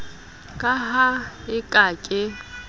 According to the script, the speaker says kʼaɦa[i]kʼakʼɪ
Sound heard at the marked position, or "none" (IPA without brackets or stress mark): ɪ